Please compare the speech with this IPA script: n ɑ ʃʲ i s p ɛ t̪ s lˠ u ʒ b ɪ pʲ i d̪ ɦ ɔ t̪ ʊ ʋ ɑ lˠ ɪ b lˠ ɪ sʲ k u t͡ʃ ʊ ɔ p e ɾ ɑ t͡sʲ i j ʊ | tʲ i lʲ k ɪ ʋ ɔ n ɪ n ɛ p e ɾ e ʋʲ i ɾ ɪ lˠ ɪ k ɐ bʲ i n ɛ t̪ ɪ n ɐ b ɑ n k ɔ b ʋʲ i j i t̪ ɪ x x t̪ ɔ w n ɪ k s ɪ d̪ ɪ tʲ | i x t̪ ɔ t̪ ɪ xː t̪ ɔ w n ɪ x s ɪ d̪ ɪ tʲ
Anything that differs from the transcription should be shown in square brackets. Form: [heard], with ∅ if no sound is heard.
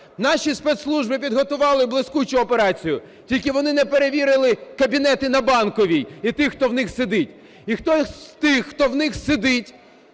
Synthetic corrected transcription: n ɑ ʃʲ i s p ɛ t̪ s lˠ u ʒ b ɪ pʲ i d̪ ɦ ɔ t̪ ʊ ʋ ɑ lˠ ɪ b lˠ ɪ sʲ k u t͡ʃ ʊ ɔ p e ɾ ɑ t͡sʲ i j ʊ | tʲ i lʲ k ɪ ʋ ɔ n ɪ n ɛ p e ɾ e ʋʲ i ɾ ɪ lˠ ɪ k ɐ bʲ i n ɛ t̪ ɪ n ɐ b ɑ n k ɔ [∅] ʋʲ i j i t̪ ɪ x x t̪ ɔ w n ɪ [x] s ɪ d̪ ɪ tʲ | i x t̪ ɔ t̪ ɪ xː t̪ ɔ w n ɪ x s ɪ d̪ ɪ tʲ